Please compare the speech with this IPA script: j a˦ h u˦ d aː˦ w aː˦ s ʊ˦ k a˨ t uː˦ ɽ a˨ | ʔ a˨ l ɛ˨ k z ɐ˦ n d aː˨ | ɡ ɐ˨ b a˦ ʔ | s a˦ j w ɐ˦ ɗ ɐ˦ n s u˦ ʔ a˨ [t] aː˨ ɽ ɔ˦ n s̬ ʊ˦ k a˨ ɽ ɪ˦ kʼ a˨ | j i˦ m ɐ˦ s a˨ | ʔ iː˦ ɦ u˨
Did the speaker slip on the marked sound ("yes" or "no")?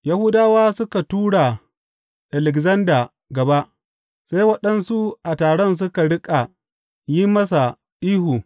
no